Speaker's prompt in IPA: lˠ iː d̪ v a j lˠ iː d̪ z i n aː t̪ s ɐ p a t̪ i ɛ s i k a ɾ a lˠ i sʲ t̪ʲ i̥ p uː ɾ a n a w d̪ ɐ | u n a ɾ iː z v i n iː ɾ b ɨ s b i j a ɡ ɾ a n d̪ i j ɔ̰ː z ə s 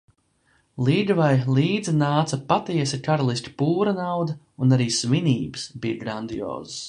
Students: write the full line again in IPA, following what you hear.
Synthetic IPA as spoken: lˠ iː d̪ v a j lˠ iː d̪ z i n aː t̪ s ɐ p a t̪ i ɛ s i k a ɾ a lˠ i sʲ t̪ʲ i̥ p uː ɾ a n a w d̪ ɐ | u n a ɾ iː s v i n iː b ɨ s b i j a ɡ ɾ a n d̪ i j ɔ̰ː z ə s